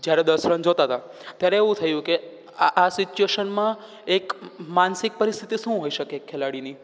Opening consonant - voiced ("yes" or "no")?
yes